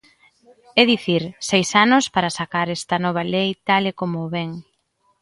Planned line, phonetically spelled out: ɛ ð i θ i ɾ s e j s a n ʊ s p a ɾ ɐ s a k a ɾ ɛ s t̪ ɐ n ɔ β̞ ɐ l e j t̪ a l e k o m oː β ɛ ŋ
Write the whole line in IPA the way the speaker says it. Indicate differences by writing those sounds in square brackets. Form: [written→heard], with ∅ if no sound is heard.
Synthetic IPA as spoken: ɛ ð i θ i ɾ s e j s a n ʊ s p a ɾ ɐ s a k a ɾ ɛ s t̪ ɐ n ɔ β̞ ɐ l e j t̪ a l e k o m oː β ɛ ŋ